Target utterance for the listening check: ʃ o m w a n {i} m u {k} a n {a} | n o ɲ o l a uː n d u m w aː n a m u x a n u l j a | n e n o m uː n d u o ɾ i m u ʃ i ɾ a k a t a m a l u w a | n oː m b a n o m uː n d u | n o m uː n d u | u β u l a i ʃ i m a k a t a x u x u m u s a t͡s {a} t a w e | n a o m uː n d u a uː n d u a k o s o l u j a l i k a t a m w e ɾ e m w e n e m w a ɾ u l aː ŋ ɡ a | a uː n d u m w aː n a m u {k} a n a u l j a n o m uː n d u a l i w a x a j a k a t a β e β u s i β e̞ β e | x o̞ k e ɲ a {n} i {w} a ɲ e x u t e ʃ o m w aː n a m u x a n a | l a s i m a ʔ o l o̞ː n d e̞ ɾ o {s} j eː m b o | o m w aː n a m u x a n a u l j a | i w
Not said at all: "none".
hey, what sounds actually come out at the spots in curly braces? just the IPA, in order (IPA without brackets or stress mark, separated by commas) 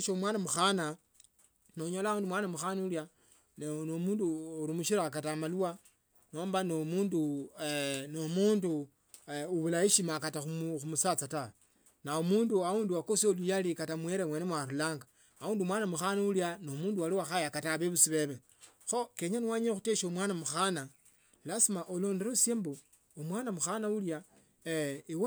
a, x, a, a, x, n, w, s